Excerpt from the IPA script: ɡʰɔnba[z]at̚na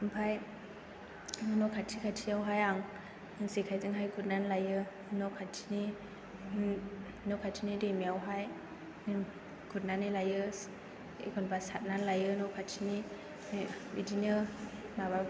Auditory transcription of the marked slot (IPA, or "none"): s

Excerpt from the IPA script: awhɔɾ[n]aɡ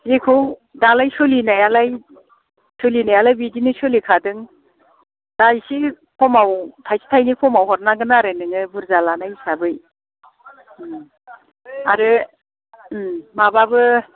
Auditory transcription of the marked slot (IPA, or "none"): n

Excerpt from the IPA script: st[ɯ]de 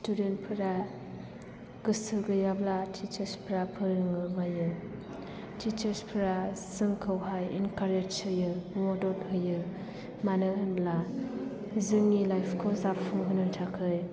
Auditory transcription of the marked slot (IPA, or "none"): u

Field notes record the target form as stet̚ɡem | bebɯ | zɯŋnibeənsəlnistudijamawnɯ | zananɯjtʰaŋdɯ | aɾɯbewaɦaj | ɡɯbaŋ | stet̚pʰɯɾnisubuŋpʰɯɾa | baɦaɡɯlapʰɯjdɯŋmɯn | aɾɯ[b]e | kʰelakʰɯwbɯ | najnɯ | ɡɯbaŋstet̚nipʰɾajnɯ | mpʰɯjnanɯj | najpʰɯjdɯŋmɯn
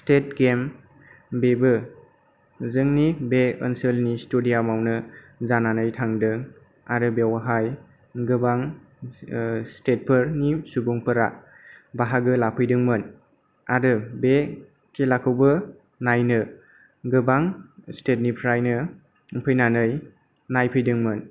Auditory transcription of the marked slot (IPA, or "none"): b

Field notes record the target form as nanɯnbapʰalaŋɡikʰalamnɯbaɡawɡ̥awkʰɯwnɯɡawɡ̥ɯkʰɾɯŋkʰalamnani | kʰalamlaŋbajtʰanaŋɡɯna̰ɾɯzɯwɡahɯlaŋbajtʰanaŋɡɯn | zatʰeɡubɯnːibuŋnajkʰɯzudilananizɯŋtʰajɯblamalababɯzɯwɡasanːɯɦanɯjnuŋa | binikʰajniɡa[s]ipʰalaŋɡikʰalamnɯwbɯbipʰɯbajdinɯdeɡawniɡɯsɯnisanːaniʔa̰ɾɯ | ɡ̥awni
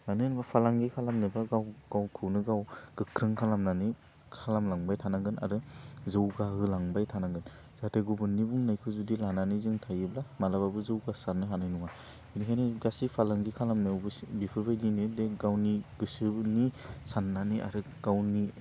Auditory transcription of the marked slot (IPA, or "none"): s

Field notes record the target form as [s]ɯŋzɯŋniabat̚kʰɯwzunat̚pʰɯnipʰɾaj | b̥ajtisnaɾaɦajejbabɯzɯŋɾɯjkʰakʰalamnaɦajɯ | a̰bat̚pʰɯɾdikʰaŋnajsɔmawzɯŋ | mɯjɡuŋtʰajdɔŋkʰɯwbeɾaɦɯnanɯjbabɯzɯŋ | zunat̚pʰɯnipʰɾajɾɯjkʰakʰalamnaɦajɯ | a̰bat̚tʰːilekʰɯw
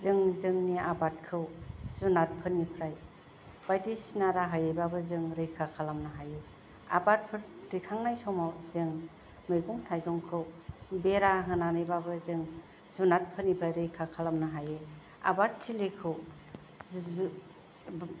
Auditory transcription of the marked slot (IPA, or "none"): z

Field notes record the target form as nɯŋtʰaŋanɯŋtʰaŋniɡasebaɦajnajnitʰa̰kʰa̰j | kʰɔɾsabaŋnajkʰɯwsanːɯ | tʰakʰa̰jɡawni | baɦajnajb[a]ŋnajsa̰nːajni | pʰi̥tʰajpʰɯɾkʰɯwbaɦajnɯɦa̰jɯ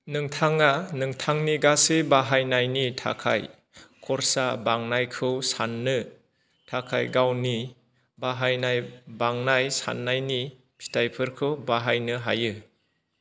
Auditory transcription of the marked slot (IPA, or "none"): a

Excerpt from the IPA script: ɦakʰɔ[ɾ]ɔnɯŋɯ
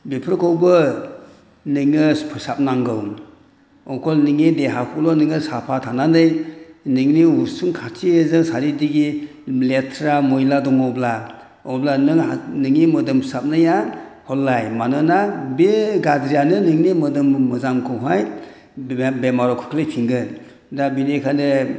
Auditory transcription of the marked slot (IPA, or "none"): l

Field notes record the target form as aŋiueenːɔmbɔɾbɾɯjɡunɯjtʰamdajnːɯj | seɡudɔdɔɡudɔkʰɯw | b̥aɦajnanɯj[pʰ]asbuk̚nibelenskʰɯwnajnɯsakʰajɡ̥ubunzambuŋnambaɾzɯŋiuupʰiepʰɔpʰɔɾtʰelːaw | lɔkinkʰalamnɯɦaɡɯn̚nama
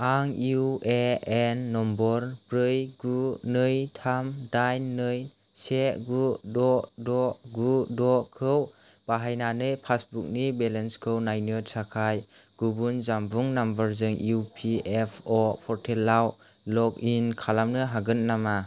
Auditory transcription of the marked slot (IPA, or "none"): pʰ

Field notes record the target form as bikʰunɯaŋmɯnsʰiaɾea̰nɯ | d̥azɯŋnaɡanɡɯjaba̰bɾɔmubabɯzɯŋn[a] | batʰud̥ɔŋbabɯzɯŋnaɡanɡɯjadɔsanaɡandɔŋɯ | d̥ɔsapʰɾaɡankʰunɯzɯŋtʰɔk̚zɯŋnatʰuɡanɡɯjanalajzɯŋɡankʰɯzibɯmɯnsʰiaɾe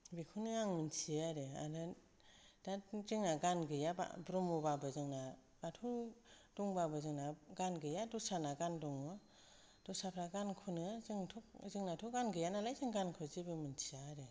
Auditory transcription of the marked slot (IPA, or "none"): a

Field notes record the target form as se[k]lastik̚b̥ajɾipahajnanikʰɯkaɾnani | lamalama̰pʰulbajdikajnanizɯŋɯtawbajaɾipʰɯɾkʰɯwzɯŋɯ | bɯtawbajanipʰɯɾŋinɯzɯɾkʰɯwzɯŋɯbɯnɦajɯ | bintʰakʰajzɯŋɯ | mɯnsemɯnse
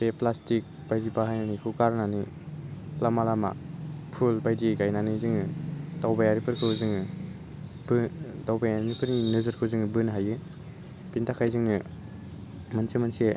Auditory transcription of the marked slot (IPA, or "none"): p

